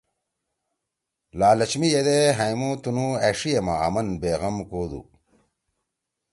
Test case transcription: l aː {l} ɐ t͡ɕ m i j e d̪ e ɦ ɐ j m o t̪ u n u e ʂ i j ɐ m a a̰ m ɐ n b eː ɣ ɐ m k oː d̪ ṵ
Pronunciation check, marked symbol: correct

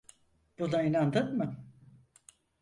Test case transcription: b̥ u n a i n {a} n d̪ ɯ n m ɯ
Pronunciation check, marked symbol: correct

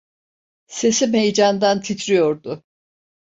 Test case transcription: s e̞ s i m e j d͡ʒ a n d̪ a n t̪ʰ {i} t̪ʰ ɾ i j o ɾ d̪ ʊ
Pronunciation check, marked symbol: correct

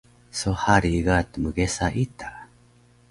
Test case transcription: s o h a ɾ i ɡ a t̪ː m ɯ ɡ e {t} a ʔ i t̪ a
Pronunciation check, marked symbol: incorrect: s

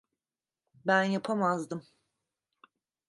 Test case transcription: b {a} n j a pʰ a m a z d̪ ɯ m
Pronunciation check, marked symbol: incorrect: æ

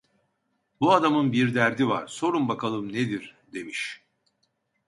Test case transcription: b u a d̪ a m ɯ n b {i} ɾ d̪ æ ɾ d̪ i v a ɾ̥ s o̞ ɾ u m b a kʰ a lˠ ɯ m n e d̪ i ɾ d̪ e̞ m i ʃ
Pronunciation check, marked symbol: correct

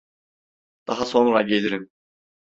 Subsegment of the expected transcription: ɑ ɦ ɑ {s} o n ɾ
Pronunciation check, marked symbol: correct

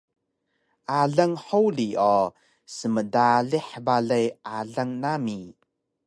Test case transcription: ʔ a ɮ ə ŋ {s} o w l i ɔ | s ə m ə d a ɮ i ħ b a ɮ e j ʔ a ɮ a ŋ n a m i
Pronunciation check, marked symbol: incorrect: ħ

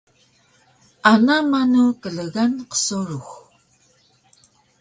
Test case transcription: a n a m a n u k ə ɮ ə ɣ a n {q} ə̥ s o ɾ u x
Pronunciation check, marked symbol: correct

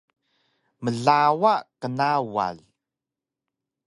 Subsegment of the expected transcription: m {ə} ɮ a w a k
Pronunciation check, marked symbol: correct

